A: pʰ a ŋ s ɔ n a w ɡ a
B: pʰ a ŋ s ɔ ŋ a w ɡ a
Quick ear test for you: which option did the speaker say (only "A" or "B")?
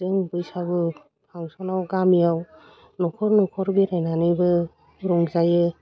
A